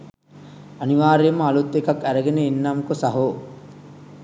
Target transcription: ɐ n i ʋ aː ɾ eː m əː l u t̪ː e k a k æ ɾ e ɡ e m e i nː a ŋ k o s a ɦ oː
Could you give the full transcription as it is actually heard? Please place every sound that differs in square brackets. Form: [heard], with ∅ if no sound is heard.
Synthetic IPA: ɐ n i ʋ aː ɾ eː m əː l u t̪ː e k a k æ ɾ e ɡ e [n] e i nː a [m] k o s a ɦ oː